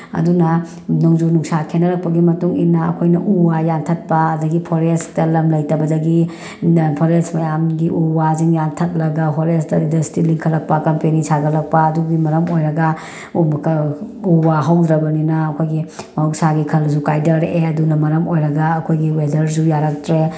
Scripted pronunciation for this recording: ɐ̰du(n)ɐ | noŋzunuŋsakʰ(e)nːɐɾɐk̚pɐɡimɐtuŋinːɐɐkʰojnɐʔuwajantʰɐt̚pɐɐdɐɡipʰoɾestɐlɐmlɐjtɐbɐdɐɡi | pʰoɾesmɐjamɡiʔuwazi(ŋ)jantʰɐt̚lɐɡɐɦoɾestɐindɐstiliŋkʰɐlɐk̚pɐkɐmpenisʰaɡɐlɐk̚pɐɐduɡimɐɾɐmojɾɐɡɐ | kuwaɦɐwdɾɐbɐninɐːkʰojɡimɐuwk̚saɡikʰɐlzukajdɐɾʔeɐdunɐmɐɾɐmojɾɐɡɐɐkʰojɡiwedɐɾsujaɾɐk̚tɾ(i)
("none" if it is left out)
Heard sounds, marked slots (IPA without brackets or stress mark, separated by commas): n, e, ŋ, e